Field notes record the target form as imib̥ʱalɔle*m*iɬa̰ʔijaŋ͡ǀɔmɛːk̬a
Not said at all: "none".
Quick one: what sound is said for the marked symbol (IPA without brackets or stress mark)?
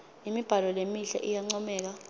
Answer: m